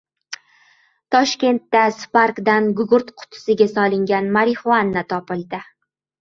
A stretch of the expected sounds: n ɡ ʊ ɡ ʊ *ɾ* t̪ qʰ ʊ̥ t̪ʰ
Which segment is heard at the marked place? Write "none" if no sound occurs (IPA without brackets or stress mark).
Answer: ɾ